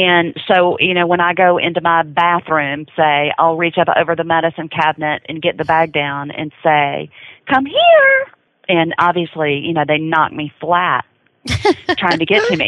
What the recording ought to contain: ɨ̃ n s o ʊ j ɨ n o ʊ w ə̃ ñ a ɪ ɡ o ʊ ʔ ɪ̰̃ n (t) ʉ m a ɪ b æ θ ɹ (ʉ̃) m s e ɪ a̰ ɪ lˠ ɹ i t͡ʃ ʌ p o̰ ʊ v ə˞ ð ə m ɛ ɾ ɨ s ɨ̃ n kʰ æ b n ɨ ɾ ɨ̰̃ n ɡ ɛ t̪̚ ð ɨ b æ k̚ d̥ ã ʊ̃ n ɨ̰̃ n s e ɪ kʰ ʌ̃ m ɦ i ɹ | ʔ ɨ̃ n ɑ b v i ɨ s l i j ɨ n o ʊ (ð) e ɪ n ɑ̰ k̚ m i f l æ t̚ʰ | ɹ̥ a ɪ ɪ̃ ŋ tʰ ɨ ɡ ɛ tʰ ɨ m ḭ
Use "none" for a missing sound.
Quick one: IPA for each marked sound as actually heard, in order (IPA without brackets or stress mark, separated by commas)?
t, ʉ̃, ð